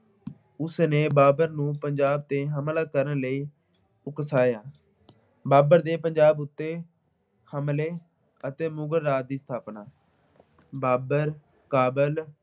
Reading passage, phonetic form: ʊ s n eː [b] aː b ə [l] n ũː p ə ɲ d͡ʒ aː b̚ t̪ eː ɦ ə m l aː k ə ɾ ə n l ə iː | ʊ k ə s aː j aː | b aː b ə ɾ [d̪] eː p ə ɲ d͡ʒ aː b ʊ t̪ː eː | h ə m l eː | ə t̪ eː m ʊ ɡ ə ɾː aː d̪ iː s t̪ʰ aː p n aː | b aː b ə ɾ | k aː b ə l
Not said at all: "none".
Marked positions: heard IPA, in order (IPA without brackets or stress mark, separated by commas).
b, ɾ, d̪